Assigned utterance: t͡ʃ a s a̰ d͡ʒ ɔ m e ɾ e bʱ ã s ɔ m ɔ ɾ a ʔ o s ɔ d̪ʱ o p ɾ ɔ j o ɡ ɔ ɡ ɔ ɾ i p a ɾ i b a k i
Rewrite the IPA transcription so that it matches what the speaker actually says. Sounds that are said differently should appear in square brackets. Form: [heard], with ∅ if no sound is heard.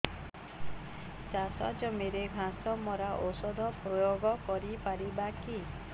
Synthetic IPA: t͡ʃ a s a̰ d͡ʒ ɔ m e ɾ e [ɡʱ] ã s ɔ m ɔ ɾ a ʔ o s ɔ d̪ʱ [ɔ] p ɾ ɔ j o ɡ ɔ [k] ɔ ɾ i p a ɾ i b a k i